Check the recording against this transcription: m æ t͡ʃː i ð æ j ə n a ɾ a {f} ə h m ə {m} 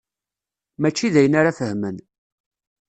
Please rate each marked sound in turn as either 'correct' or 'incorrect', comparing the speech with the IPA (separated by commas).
correct, incorrect